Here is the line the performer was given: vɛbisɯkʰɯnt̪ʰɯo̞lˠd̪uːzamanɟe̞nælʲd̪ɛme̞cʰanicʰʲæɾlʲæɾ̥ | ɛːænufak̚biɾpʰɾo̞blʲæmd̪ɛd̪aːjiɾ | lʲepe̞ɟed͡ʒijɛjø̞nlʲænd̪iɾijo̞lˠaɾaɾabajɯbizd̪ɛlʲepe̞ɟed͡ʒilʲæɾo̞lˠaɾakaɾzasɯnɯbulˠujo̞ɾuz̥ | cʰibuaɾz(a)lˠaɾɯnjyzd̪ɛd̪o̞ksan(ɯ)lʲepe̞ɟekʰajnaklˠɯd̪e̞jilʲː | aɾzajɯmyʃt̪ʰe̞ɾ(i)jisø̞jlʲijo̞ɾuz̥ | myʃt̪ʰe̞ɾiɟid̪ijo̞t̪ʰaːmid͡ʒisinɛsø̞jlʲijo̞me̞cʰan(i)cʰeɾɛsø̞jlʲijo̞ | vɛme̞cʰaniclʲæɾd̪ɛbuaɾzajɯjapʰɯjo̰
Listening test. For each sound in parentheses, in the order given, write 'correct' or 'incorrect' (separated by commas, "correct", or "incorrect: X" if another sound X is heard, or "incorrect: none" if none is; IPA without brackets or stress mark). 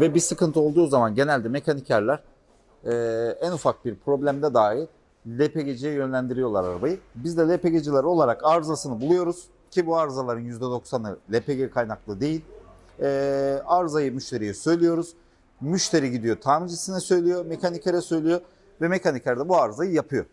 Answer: correct, correct, correct, correct